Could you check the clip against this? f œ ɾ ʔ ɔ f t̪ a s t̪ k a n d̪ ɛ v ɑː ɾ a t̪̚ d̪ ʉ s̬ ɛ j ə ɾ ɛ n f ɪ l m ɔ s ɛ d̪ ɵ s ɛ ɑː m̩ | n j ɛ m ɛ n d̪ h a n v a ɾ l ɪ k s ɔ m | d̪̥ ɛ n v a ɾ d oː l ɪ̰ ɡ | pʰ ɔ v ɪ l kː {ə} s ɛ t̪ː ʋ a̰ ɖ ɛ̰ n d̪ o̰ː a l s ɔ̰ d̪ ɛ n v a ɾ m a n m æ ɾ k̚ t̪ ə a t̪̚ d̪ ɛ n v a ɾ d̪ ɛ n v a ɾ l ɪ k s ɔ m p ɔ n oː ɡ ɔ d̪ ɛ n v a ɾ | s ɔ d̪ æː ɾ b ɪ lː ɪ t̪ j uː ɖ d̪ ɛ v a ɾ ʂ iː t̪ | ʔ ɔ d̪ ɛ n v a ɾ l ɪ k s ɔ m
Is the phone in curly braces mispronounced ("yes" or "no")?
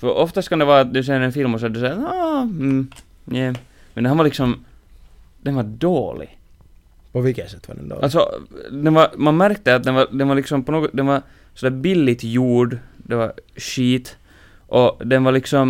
no